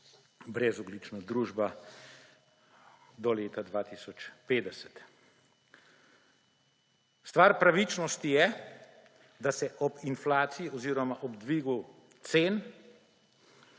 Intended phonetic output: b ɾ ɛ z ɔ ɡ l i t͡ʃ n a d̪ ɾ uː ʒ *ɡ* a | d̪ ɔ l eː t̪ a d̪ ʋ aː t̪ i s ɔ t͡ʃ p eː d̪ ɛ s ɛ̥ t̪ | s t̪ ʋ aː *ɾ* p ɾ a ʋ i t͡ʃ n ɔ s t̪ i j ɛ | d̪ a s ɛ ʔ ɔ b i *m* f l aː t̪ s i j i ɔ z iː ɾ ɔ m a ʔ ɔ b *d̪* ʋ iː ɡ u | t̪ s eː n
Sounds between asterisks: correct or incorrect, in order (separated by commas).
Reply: incorrect, correct, incorrect, correct